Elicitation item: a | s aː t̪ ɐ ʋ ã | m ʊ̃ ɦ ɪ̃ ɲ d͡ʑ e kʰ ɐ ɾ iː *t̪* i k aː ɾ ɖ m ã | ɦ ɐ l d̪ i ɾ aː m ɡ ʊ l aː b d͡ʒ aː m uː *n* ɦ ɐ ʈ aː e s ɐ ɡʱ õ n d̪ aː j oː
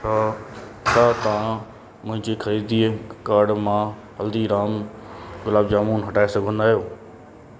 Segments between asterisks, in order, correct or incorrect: incorrect: d̪, correct

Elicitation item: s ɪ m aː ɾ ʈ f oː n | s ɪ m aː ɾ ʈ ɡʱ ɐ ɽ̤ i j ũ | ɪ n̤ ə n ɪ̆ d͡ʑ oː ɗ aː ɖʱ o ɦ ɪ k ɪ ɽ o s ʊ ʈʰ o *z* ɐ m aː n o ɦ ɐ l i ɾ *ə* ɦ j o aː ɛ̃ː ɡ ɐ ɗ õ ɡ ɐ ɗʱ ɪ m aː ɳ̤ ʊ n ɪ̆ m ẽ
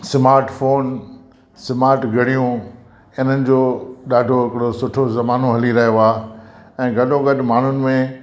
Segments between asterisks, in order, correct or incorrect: correct, incorrect: ɐ

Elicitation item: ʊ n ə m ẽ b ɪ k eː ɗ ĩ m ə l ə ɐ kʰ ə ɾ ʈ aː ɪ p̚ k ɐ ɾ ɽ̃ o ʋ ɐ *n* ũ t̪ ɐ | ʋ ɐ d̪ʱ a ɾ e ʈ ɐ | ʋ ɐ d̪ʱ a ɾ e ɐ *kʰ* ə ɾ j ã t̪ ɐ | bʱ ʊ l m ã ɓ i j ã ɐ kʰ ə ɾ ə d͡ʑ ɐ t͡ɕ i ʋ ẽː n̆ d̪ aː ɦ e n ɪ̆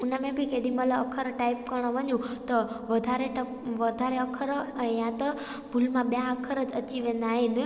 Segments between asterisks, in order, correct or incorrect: incorrect: ɲ, correct

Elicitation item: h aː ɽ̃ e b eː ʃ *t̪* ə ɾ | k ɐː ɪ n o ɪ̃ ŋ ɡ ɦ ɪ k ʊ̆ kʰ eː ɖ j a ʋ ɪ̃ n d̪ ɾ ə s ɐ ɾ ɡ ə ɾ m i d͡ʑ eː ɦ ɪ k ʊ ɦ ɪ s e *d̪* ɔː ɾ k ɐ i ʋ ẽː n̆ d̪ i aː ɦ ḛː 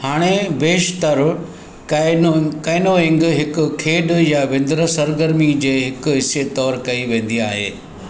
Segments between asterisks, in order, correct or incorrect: correct, incorrect: t̪

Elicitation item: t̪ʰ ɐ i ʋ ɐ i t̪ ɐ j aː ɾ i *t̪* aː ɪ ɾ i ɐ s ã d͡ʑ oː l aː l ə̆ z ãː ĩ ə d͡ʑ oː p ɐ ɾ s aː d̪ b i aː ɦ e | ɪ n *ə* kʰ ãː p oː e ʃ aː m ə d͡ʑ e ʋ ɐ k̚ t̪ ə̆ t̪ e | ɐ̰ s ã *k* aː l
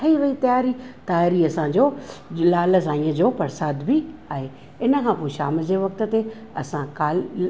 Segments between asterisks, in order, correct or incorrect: correct, correct, correct

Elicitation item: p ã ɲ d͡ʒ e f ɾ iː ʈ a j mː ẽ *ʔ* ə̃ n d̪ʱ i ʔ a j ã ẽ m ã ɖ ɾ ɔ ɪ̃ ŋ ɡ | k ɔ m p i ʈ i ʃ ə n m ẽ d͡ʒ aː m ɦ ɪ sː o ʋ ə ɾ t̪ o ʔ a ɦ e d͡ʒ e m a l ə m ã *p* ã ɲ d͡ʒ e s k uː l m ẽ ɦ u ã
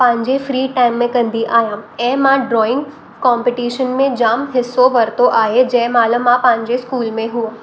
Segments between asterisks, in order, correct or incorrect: incorrect: k, correct

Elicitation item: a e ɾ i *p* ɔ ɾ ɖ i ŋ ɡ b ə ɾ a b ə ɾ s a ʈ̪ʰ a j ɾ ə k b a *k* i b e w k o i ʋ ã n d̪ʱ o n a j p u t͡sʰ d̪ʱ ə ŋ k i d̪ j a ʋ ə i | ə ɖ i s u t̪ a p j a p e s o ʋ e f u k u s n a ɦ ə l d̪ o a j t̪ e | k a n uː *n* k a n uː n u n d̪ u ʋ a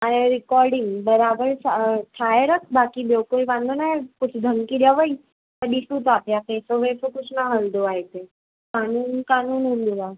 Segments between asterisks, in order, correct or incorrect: incorrect: k, correct, correct

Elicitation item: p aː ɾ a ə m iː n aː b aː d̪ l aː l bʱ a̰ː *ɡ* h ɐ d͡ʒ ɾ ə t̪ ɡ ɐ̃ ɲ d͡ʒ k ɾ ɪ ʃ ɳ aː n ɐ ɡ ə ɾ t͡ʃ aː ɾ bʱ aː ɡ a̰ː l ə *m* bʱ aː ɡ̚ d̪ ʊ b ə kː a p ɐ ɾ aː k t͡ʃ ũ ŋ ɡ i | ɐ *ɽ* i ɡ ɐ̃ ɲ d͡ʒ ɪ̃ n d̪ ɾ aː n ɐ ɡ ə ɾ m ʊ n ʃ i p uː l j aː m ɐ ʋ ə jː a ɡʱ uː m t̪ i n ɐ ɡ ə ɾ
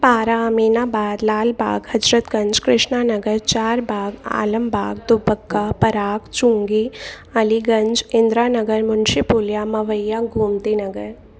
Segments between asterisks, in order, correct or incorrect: correct, correct, incorrect: l

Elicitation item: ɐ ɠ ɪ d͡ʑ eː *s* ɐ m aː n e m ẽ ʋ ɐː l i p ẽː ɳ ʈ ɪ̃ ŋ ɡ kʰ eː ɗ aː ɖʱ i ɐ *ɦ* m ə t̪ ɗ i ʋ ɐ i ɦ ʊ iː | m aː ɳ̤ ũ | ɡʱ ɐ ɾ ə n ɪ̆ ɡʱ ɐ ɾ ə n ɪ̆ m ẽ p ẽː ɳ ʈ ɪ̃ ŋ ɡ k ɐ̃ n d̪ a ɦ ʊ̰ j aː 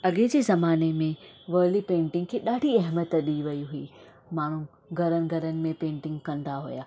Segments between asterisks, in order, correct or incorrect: incorrect: z, correct

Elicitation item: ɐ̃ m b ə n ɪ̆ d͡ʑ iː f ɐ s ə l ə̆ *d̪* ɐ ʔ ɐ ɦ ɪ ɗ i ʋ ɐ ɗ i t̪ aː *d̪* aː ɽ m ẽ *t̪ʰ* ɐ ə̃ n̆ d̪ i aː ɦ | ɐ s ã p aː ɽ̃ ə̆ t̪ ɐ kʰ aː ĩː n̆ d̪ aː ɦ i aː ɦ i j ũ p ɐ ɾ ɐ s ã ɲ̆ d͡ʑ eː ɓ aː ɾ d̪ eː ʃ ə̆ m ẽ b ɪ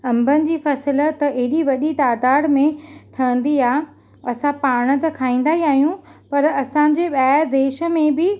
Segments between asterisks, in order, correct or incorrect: incorrect: t̪, correct, correct

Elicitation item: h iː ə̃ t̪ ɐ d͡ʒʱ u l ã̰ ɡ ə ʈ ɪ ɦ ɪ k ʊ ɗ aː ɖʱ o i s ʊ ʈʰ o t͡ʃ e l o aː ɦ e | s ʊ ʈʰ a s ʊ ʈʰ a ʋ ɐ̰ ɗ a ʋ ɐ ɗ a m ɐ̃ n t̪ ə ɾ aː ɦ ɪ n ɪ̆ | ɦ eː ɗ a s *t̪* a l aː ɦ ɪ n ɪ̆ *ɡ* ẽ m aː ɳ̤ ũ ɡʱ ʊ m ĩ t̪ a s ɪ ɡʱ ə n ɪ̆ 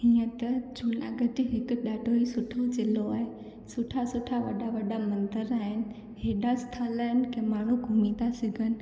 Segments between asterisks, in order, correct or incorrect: incorrect: t̪ʰ, incorrect: k

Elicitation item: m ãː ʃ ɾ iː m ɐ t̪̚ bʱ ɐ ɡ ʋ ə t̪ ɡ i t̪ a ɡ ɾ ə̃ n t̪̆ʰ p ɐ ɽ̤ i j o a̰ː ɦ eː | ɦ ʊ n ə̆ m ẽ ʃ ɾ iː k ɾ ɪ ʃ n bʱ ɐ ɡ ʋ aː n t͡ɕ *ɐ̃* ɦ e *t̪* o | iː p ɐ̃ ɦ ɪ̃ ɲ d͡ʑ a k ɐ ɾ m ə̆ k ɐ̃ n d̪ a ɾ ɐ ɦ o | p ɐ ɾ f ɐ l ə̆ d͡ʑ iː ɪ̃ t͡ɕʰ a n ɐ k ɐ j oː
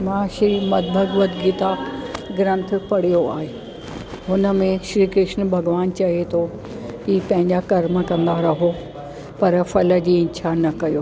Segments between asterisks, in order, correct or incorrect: incorrect: ɐ, incorrect: t̪ʰ

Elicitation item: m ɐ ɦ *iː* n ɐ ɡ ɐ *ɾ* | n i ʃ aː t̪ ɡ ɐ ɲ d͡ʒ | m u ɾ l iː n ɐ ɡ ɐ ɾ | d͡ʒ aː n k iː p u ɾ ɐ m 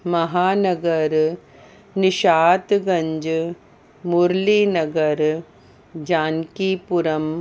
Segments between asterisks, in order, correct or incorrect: incorrect: aː, correct

